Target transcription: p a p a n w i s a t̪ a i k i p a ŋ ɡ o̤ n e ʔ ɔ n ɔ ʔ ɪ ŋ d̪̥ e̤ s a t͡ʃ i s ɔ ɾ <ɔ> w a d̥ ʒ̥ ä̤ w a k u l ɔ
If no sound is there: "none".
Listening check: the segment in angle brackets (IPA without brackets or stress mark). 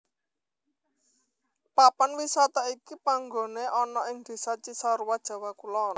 u